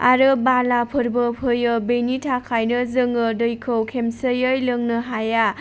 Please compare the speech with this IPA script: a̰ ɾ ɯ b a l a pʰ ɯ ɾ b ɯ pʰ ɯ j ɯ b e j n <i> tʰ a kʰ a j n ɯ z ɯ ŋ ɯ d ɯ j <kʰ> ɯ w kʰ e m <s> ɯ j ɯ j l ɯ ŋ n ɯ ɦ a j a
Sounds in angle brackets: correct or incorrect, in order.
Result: correct, correct, correct

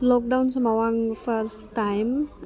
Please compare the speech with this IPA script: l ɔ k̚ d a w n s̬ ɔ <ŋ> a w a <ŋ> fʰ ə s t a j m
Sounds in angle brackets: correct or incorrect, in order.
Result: incorrect: m, correct

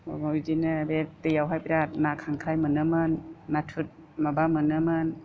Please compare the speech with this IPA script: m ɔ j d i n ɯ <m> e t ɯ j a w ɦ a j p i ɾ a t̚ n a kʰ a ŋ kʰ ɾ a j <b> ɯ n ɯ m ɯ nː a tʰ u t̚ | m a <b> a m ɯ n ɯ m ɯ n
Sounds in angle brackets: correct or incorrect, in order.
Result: incorrect: b, incorrect: m, correct

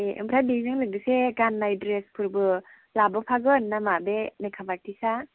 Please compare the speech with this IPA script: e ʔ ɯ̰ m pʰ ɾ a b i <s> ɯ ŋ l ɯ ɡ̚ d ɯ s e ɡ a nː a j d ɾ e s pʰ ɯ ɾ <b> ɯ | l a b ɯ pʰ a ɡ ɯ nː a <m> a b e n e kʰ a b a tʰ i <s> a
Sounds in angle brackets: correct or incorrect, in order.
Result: incorrect: z, correct, correct, correct

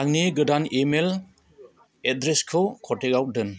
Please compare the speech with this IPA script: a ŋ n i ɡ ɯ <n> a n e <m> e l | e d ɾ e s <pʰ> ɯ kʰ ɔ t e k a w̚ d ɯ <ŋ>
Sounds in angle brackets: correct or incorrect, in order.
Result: incorrect: d, correct, incorrect: kʰ, incorrect: n

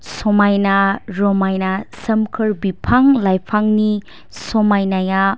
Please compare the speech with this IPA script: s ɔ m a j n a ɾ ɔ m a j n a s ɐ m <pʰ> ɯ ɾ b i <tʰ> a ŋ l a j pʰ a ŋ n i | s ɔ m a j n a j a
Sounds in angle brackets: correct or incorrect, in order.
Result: incorrect: kʰ, incorrect: pʰ

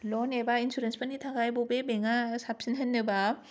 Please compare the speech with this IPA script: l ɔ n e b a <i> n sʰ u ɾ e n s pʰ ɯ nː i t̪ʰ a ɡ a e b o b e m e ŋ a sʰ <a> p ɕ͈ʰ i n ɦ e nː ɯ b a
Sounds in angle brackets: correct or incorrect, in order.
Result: correct, correct

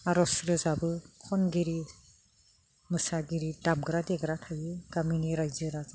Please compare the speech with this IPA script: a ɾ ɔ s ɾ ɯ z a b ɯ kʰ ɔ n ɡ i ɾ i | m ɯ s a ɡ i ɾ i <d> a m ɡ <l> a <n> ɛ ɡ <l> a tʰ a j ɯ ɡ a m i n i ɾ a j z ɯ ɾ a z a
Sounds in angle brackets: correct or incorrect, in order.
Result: correct, incorrect: ɾ, incorrect: d, incorrect: ɾ

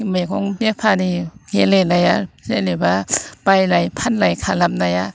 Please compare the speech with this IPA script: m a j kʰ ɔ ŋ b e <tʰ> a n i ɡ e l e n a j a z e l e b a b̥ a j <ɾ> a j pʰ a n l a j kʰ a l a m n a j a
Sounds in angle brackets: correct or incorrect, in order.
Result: incorrect: pʰ, incorrect: l

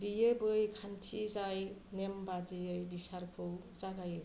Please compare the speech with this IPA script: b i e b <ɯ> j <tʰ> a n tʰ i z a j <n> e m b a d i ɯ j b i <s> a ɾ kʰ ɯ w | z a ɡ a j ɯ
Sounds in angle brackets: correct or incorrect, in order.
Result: correct, incorrect: kʰ, correct, correct

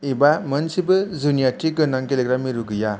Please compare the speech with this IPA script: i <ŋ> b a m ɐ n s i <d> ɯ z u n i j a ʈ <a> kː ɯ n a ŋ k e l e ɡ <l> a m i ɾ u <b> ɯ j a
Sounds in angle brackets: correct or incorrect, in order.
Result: incorrect: none, incorrect: b, incorrect: i, incorrect: ɾ, incorrect: ɡ

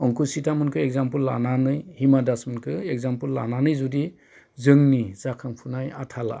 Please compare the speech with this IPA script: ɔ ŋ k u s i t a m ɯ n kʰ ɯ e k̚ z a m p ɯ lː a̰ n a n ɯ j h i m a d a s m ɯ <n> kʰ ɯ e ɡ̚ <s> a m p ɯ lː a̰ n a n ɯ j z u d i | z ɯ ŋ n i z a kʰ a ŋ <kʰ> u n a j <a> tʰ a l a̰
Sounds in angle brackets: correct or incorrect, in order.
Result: correct, incorrect: z, incorrect: pʰ, correct

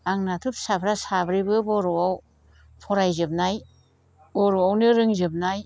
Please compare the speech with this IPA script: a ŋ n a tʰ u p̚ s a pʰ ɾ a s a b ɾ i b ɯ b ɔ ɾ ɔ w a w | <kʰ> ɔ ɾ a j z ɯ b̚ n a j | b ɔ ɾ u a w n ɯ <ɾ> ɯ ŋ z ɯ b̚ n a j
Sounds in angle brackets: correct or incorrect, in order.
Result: incorrect: pʰ, correct

